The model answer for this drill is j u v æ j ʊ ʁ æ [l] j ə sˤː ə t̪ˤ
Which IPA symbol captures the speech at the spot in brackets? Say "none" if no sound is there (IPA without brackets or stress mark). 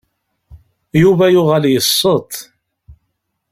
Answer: l